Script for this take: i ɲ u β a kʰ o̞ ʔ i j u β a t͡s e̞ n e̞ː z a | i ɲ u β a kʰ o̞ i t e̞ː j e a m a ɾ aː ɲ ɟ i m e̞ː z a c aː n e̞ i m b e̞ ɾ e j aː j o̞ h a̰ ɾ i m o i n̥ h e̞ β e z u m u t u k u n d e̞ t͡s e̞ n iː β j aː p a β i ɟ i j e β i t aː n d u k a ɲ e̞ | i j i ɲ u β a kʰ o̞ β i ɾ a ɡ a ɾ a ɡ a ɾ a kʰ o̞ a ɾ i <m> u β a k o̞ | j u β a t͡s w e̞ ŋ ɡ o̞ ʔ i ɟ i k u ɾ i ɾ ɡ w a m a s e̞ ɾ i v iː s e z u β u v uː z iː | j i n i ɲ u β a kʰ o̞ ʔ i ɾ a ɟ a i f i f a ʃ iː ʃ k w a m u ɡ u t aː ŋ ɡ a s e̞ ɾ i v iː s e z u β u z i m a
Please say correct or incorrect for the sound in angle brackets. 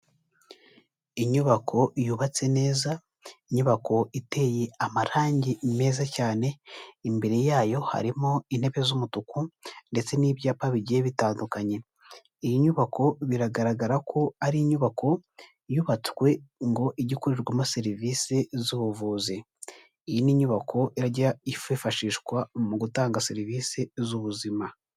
incorrect